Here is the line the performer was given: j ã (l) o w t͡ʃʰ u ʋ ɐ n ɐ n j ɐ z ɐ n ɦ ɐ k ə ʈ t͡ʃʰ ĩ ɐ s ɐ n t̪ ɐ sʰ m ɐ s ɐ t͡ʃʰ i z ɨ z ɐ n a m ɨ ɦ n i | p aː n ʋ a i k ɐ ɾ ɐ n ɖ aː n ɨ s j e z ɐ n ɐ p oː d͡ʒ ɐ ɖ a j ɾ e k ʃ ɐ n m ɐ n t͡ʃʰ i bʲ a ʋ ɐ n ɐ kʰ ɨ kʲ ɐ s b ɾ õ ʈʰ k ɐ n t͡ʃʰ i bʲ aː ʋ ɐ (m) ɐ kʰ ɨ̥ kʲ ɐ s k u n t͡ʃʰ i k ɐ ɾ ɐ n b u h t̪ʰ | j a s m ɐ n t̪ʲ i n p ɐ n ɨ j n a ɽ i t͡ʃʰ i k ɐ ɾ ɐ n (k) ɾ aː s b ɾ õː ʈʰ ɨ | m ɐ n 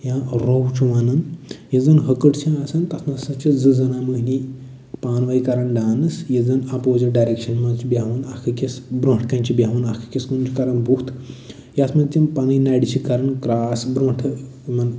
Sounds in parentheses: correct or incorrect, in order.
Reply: incorrect, incorrect, correct

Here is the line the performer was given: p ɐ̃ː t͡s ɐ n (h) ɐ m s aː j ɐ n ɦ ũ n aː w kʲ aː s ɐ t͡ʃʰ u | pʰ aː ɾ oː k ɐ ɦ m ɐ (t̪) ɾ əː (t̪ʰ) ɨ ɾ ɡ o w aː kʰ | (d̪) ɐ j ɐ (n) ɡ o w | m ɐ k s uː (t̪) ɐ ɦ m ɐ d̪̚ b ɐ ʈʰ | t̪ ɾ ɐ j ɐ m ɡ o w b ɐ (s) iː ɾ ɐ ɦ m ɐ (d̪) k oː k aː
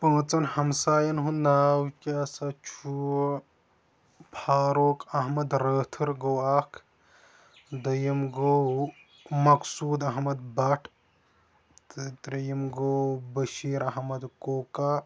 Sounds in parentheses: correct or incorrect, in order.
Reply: correct, incorrect, correct, correct, incorrect, incorrect, incorrect, correct

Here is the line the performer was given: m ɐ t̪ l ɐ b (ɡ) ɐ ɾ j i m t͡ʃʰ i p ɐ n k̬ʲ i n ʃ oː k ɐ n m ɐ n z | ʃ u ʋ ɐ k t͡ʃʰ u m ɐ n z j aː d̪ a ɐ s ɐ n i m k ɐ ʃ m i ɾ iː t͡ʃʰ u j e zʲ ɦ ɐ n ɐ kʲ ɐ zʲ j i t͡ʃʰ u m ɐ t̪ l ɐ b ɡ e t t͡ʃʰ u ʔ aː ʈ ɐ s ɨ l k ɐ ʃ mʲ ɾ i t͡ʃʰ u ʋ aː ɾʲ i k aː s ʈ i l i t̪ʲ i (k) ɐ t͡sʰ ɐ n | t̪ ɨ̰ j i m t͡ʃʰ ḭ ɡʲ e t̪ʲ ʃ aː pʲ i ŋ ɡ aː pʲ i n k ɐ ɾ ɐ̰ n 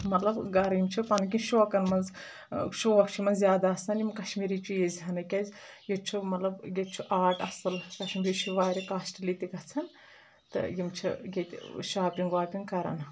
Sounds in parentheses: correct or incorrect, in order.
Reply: correct, incorrect

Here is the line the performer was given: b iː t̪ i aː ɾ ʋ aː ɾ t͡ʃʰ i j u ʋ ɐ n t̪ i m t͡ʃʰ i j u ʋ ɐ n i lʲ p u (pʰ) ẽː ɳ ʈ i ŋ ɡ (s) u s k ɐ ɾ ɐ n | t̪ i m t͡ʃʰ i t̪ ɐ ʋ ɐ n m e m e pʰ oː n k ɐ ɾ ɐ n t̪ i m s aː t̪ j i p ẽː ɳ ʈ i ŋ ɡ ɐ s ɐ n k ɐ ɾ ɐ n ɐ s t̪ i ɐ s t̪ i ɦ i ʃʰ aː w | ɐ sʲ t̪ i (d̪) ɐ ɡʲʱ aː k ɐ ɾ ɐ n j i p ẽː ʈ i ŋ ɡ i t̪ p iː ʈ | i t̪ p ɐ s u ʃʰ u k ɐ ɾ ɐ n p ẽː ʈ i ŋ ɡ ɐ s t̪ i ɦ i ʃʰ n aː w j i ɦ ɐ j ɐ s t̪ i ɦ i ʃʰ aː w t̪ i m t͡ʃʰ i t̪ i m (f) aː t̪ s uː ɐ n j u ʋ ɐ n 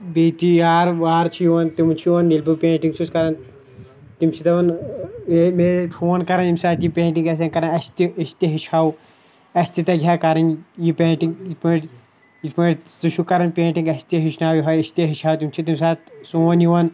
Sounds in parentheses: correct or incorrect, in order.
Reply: incorrect, correct, incorrect, incorrect

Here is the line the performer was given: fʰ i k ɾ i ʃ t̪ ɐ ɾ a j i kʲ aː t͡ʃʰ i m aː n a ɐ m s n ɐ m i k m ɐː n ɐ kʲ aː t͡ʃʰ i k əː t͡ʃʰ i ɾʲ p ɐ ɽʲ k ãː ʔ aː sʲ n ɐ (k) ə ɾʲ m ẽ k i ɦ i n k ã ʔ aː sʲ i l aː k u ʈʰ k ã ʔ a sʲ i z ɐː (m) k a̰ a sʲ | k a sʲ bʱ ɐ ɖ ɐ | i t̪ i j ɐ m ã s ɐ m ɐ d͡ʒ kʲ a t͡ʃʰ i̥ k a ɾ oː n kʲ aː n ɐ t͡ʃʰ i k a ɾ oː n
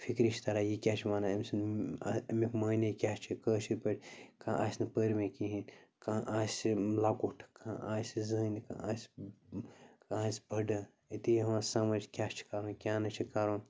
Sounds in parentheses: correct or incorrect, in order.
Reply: incorrect, incorrect

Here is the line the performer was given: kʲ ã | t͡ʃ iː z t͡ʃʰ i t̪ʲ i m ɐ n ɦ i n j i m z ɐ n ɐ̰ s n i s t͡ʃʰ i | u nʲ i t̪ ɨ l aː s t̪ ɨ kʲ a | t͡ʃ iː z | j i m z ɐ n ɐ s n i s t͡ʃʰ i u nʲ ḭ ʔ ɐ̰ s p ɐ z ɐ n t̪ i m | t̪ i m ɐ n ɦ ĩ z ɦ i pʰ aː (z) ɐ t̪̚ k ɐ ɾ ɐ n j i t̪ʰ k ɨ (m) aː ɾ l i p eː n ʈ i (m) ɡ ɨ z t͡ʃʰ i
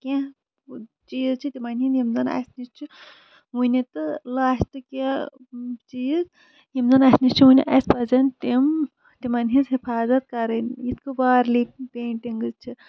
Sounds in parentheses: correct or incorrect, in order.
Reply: correct, incorrect, incorrect

